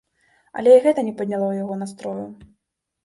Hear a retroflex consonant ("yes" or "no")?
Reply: no